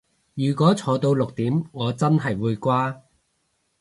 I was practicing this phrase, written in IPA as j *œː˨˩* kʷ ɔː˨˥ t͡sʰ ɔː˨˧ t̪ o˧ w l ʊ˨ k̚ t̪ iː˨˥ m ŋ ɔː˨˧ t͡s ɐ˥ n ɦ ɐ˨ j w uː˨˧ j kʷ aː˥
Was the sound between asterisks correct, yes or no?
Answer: no